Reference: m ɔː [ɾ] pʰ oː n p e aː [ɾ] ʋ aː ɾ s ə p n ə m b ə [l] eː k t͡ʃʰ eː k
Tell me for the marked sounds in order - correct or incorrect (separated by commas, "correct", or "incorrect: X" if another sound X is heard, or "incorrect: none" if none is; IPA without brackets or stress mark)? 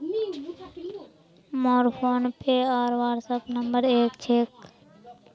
correct, correct, incorrect: ɾ